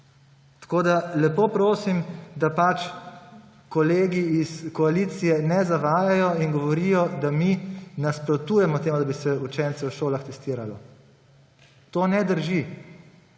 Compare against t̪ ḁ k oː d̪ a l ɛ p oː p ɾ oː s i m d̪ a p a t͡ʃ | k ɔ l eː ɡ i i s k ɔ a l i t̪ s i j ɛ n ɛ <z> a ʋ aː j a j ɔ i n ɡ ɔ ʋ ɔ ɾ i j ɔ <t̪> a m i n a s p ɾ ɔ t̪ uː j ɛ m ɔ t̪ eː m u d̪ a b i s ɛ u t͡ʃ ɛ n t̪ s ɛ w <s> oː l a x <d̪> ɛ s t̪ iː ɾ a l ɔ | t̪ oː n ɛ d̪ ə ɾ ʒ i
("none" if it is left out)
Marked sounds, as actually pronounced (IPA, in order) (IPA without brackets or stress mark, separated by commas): z, d̪, ʃ, t̪